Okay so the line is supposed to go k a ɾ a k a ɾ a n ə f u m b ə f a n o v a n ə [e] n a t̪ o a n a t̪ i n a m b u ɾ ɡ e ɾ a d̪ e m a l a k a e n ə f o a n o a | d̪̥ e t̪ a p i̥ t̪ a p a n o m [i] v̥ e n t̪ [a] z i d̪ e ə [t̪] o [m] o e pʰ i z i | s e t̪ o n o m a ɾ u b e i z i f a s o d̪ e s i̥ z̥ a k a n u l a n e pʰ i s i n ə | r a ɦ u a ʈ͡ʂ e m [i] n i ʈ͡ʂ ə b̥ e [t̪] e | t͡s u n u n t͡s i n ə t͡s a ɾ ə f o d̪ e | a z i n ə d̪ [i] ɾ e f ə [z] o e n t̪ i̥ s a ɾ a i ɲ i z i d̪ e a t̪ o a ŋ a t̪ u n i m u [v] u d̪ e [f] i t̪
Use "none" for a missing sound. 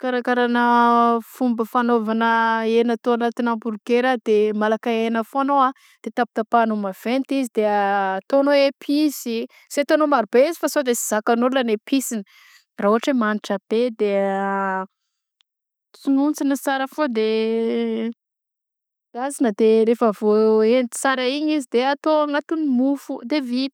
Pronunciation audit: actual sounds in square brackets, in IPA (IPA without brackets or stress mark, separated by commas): e, a, i, t̪, n, a, d̪, e, v, f, v